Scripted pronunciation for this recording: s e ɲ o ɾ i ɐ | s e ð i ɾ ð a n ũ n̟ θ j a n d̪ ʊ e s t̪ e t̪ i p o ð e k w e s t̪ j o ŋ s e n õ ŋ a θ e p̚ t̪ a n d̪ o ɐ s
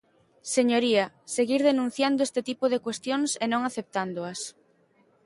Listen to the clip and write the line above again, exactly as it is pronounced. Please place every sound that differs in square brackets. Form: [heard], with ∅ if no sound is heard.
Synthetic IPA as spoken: s e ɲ o ɾ i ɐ | s e [ɣ] i ɾ ð [e] n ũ n̟ θ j a n d̪ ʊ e s t̪ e t̪ i p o ð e k w e s t̪ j o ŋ s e n õ ŋ a θ e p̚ t̪ a n d̪ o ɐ s